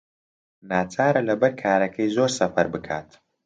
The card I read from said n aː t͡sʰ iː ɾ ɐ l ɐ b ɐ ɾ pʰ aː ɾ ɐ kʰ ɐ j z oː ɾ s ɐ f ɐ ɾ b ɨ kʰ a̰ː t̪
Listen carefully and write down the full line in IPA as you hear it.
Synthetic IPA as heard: n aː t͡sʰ aː ɾ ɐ l ɐ b ɐ ɾ kʰ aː ɾ ɐ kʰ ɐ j z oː ɾ s ɐ f ɐ ɾ b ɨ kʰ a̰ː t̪